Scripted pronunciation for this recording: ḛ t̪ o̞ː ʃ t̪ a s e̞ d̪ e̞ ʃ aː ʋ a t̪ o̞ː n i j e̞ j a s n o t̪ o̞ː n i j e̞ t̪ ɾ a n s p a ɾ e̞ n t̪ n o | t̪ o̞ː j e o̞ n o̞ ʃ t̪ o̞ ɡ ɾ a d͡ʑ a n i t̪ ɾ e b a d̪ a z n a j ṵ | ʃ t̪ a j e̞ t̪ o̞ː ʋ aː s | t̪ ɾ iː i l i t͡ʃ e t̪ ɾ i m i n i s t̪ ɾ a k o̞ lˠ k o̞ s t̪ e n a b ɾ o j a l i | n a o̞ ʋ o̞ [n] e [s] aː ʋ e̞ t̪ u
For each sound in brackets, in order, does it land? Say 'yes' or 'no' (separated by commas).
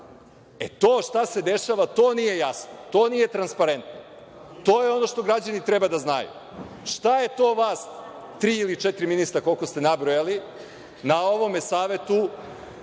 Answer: no, yes